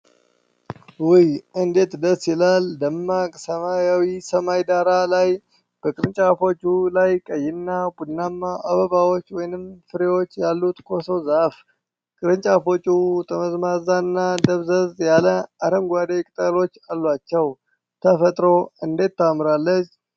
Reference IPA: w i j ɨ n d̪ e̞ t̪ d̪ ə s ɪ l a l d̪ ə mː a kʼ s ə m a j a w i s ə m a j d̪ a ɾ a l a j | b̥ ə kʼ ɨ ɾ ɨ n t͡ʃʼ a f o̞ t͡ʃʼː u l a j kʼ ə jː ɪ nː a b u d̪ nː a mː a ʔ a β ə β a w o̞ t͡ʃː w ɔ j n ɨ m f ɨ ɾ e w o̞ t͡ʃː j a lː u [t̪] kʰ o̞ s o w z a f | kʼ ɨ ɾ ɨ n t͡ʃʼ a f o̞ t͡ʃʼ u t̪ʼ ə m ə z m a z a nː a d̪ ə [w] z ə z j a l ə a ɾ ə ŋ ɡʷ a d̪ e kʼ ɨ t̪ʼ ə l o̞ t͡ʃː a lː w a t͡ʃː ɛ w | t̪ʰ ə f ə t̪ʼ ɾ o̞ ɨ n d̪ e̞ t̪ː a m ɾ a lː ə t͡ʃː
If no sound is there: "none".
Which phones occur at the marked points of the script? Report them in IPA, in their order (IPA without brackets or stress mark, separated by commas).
t̪, β